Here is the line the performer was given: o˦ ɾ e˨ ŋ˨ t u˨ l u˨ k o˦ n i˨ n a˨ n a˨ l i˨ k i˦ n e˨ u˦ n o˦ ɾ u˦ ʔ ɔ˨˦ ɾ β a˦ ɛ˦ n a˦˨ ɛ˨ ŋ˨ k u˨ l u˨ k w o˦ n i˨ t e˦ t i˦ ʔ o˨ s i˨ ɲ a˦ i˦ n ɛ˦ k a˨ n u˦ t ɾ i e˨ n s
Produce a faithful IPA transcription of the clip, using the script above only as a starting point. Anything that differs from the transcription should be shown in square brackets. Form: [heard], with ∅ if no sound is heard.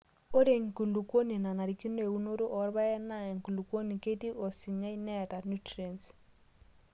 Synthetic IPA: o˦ ɾ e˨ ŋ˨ [k] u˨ l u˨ k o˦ n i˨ n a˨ n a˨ [ɾ] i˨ k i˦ n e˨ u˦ n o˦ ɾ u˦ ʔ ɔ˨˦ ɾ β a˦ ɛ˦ n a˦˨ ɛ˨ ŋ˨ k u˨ l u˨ k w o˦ n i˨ [k] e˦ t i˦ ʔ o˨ s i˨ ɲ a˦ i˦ n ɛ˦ [t] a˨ n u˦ t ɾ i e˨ n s